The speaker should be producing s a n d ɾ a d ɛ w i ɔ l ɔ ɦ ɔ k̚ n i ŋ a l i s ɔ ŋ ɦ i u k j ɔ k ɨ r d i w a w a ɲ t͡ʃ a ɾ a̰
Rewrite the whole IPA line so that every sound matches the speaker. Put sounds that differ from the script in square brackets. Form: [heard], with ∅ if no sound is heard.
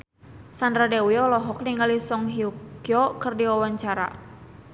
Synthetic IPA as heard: s a n d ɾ a d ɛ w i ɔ l ɔ ɦ ɔ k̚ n i ŋ a l i s ɔ ŋ ɦ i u k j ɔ k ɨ r d i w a w a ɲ t͡ʃ a ɾ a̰